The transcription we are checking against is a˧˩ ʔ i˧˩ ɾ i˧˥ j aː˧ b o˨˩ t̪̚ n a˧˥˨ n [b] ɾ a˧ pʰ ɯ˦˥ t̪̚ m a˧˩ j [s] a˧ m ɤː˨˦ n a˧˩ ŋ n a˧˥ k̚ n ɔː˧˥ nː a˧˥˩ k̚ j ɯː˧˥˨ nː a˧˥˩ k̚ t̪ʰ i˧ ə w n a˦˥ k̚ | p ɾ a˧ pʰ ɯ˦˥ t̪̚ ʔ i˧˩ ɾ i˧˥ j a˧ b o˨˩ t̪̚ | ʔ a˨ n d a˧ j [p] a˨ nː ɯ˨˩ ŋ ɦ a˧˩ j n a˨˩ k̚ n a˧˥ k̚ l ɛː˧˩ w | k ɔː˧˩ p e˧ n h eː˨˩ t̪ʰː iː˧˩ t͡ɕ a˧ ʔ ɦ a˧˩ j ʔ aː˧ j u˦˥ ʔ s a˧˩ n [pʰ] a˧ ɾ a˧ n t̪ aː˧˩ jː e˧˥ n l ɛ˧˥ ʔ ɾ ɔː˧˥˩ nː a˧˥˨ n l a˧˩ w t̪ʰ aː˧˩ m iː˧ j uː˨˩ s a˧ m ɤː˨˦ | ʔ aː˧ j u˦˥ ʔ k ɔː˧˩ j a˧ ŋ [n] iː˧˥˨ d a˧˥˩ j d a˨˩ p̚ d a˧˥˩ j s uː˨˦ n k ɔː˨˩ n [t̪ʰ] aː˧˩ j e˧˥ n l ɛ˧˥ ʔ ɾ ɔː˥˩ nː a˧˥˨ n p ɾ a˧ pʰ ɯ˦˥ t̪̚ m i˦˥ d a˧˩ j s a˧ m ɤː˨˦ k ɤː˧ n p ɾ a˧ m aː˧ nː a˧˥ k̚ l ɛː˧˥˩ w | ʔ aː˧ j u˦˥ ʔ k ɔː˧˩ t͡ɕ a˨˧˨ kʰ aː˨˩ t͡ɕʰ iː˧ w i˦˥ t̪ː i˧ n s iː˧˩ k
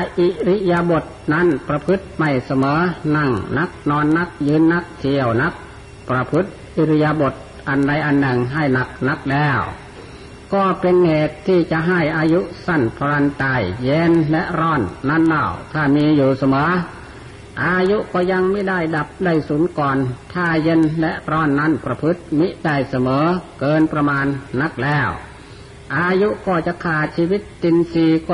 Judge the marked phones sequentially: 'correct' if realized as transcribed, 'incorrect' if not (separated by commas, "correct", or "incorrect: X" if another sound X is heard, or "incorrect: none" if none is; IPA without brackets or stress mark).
incorrect: p, correct, incorrect: ʔ, correct, incorrect: m, correct